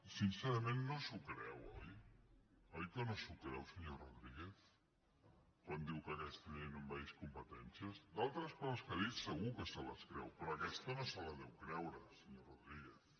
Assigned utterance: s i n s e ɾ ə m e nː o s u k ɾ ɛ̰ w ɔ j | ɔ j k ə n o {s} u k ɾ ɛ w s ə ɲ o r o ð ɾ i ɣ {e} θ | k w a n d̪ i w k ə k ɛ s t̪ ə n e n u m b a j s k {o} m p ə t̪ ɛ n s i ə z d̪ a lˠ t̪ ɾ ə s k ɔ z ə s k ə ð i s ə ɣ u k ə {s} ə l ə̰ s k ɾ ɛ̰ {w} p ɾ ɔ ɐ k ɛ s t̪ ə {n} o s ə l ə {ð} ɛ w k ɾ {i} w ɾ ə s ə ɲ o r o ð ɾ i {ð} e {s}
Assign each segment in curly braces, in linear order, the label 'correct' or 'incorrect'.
correct, correct, incorrect: u, correct, correct, correct, correct, incorrect: ɛ, incorrect: ɣ, incorrect: θ

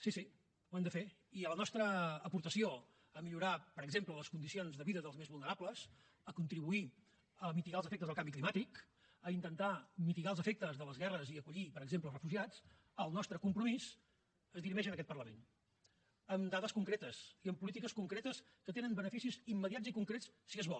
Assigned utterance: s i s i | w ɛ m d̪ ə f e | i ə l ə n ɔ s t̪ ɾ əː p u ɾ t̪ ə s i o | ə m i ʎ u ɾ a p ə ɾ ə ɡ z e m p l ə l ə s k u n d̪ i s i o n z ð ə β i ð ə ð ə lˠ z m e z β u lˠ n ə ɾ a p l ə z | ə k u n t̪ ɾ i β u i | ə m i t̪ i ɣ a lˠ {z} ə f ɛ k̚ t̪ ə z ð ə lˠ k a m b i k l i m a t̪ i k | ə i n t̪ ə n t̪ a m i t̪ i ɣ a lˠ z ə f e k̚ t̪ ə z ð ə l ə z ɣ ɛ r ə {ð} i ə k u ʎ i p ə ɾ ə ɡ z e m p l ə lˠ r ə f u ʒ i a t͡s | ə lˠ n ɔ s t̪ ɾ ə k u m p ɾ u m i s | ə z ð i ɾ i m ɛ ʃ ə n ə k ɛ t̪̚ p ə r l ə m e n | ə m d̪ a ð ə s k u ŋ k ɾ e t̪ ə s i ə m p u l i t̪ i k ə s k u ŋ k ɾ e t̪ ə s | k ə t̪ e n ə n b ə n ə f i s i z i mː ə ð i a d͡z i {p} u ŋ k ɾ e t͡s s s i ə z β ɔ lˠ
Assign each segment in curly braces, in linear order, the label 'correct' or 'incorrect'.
correct, incorrect: z, incorrect: k

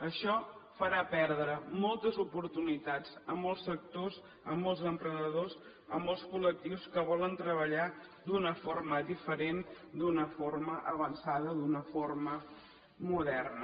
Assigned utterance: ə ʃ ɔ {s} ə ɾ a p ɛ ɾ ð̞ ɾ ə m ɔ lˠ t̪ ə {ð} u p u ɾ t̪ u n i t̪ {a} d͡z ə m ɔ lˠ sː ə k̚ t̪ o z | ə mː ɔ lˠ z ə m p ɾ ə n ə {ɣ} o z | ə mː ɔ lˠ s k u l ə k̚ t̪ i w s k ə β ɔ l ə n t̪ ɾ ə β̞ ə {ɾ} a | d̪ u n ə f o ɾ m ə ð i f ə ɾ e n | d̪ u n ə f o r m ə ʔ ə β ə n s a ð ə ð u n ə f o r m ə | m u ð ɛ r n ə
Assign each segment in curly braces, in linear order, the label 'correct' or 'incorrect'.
incorrect: f, incorrect: z, correct, incorrect: ð, incorrect: ʎ

